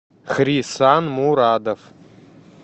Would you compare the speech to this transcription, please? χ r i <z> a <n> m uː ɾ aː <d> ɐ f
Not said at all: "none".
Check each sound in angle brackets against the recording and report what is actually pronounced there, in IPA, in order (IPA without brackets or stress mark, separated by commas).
s, n, d